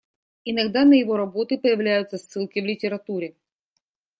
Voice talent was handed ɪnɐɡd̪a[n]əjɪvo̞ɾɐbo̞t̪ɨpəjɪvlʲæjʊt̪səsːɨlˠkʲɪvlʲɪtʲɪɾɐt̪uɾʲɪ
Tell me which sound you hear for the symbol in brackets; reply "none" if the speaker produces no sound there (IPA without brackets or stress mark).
n